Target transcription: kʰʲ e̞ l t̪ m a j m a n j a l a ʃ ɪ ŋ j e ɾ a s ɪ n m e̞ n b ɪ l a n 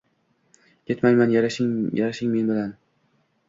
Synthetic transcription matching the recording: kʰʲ e̞ t̪ m a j m a n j a ɾ a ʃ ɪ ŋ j a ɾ a ʃ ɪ ŋ m e̞ n b ɪ l a n